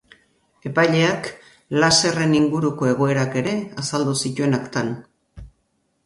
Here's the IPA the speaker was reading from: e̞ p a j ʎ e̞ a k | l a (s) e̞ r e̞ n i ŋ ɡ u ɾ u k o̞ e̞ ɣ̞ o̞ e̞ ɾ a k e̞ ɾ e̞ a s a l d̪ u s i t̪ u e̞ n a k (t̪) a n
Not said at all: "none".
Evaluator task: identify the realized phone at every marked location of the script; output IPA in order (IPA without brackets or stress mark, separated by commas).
s, t̪